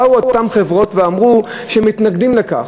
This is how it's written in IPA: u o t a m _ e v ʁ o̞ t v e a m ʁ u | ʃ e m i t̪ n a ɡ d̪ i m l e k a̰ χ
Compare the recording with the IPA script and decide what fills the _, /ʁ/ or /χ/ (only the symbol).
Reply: χ